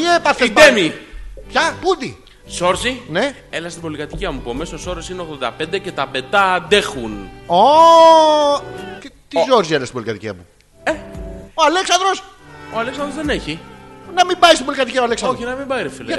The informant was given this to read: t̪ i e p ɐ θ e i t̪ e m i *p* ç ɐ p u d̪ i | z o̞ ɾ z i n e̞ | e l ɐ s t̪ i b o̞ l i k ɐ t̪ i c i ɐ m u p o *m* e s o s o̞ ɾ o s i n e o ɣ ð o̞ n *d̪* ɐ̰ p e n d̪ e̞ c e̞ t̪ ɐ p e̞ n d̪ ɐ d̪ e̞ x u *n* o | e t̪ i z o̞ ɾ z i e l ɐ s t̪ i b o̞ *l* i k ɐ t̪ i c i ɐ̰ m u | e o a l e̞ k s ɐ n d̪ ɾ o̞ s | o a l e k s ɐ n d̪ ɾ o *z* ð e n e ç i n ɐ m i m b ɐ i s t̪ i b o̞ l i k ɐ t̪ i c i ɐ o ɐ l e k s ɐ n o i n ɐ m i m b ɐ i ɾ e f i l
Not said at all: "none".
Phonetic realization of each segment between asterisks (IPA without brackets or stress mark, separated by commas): p, m, d̪, n, l, z